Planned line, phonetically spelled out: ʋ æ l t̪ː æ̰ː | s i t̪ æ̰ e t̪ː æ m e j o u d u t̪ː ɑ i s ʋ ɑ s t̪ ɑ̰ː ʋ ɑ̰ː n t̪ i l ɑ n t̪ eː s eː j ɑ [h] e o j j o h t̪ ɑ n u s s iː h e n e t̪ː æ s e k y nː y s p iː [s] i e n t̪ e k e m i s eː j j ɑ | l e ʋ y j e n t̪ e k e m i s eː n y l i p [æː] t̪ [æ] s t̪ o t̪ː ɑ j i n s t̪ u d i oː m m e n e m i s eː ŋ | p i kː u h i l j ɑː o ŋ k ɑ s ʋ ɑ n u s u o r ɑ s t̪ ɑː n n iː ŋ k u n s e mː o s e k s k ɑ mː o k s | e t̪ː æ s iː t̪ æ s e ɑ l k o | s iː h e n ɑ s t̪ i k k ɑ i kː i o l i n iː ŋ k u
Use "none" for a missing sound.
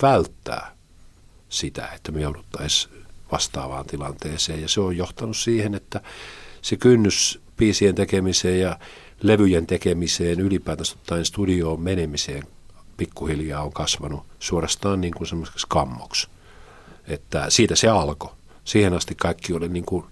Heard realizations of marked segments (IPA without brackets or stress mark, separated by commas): s, s, æː, æ